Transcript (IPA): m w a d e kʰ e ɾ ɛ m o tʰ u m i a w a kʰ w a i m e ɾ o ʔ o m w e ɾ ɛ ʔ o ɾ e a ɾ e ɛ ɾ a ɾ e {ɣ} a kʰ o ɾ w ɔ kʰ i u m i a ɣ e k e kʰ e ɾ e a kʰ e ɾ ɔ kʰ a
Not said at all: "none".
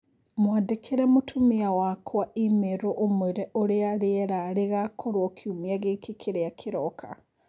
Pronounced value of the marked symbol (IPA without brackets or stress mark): ɣ